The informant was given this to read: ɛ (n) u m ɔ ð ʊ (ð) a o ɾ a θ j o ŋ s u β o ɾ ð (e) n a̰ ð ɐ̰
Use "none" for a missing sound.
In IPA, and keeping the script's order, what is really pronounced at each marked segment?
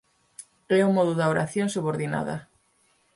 none, ð, i

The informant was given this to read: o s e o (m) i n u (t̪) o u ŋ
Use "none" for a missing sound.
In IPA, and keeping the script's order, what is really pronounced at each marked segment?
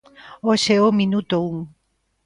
m, t̪

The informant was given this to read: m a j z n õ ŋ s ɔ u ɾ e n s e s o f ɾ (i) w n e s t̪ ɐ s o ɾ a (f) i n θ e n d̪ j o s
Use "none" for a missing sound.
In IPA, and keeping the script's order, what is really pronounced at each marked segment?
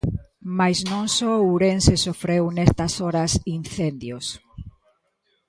e, s

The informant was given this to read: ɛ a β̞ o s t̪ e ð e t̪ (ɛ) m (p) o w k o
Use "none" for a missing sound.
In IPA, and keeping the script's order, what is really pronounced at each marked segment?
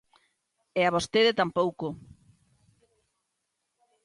a, p

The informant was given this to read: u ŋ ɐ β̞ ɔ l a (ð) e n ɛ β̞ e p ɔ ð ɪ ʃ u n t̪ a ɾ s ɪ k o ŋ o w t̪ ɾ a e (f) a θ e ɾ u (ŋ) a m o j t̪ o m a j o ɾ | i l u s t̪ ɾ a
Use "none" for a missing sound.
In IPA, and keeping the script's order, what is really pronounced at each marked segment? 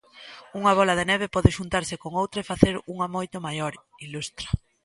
ð, f, ŋ

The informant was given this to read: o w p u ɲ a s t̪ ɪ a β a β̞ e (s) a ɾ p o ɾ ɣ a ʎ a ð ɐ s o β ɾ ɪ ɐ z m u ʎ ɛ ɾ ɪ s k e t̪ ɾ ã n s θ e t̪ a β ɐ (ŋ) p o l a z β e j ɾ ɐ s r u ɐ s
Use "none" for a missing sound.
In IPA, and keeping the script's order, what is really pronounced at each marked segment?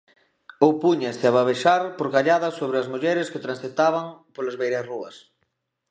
ʃ, ŋ

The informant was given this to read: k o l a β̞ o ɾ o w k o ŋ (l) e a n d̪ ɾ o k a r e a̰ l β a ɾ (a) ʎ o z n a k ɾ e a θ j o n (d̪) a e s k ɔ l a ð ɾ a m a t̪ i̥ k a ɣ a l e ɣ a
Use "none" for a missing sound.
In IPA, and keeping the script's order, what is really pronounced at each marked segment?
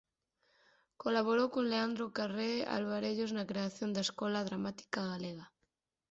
l, e, d̪

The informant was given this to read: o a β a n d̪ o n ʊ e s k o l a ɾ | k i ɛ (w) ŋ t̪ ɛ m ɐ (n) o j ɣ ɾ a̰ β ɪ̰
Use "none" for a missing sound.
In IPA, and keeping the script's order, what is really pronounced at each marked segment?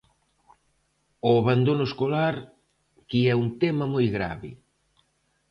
u, m

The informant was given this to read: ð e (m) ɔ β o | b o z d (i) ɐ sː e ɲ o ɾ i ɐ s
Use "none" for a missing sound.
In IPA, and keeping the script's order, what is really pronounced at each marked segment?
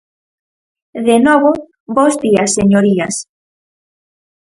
n, i

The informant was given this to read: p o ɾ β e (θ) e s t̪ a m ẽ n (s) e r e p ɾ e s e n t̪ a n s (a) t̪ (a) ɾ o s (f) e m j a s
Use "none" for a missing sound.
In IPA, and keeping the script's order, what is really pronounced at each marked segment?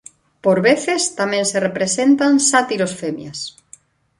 θ, s, a, i, f

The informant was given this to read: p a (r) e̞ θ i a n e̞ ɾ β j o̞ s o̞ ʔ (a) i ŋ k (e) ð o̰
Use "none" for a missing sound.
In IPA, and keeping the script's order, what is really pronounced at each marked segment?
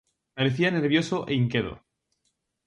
ɾ, e, e

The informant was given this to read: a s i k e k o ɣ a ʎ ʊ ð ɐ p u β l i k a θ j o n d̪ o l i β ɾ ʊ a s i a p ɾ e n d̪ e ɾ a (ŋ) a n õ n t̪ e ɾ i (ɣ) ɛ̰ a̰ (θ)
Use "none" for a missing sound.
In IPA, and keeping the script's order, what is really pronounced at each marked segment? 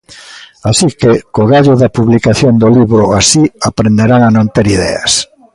ŋ, ð, s

